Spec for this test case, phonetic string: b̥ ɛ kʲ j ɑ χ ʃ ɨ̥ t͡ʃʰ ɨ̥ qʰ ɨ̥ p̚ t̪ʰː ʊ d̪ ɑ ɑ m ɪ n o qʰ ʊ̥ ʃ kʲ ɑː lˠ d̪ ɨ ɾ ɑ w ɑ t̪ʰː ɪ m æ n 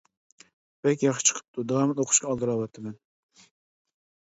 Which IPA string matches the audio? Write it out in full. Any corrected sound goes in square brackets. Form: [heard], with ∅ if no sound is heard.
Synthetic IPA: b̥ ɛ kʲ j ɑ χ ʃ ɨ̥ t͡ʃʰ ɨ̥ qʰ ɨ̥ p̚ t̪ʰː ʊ d̪ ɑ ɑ m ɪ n o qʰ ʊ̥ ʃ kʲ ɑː lˠ d̪ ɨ ɾ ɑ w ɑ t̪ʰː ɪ m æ n

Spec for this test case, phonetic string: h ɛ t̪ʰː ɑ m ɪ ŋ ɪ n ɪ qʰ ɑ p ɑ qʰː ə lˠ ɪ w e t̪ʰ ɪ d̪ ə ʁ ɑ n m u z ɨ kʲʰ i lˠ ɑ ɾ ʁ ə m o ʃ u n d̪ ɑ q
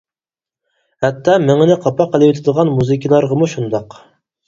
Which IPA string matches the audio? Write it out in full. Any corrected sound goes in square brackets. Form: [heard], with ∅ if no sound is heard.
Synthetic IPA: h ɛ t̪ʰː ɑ m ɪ ŋ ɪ n ɪ qʰ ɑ p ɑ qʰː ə lˠ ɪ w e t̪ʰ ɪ d̪ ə ʁ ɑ n m u z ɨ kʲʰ i lˠ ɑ ɾ ʁ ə m [u] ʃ u n d̪ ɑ q

